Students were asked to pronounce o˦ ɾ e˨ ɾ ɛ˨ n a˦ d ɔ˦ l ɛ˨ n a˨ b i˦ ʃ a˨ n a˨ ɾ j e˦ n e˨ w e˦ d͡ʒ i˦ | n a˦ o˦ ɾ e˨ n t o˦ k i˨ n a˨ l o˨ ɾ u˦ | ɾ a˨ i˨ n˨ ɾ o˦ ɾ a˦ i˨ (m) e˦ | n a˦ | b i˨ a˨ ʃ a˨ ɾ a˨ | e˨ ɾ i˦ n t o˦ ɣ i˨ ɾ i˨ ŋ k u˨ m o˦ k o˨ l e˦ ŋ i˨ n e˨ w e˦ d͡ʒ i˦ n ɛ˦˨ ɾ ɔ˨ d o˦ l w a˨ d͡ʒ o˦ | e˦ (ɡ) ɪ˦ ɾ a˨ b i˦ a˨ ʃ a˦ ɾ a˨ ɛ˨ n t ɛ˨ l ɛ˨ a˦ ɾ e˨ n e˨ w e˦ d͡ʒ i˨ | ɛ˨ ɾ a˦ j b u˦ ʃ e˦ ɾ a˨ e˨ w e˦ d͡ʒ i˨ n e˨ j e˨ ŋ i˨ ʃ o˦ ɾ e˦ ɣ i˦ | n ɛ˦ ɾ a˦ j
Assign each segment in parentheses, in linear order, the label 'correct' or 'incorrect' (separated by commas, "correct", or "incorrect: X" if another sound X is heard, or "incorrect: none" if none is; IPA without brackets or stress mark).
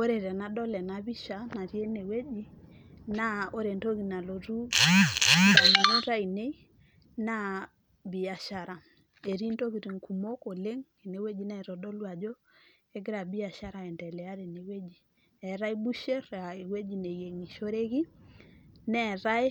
incorrect: n, correct